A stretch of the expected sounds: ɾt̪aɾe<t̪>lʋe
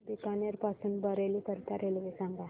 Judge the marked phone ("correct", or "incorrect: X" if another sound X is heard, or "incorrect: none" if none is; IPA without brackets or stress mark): incorrect: none